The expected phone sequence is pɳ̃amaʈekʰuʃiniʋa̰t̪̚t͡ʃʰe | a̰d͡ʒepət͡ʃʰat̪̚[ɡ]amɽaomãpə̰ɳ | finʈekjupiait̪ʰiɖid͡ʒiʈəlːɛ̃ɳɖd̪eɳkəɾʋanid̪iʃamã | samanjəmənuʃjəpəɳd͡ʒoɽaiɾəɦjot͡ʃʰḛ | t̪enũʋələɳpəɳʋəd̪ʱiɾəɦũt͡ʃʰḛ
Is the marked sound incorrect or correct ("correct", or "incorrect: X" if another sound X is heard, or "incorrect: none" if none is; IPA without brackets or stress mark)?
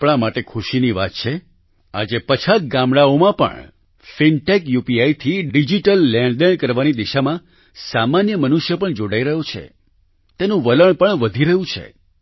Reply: correct